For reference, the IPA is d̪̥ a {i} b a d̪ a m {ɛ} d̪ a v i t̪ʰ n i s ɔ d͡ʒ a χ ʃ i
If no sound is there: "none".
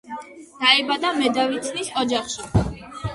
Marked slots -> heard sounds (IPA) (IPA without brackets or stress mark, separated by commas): ɛ, ɛ